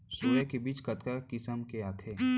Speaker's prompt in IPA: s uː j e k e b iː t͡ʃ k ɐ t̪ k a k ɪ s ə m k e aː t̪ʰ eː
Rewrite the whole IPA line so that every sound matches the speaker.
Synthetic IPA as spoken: s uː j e k e b iː t͡ʃ k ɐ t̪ k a k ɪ s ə m k e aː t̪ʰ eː